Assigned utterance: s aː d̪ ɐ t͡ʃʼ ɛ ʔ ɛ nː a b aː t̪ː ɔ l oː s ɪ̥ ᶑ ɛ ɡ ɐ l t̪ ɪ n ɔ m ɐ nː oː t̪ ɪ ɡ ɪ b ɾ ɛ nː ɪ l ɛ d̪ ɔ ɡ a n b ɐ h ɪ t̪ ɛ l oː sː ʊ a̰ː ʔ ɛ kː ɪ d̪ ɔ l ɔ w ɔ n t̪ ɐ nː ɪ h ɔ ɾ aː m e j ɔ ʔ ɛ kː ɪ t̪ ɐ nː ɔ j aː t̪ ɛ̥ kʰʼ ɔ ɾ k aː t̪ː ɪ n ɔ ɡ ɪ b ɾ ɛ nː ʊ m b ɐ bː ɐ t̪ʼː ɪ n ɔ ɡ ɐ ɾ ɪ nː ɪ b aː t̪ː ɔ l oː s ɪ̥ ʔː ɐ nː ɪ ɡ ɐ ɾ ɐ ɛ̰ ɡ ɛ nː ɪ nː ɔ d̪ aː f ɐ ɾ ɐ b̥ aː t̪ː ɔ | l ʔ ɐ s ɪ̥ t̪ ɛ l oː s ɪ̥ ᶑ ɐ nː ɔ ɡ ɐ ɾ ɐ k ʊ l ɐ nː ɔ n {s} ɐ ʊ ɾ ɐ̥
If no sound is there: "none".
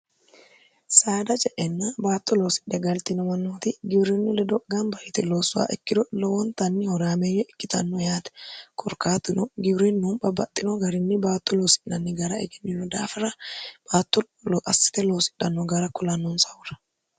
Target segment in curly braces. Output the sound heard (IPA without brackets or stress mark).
s